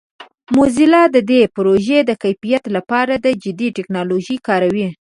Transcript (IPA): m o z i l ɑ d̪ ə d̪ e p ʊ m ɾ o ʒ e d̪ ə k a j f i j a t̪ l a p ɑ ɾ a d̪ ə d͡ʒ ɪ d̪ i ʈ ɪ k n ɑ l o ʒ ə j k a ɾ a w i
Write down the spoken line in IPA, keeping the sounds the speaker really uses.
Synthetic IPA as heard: m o z i l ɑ d̪ ə d̪ e p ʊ ɾ o ʒ e d̪ ə k a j f i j a t̪ l a p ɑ ɾ a d̪ ə d͡ʒ ɪ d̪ i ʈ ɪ k n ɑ l o ʒ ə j k ɑ ɾ a w i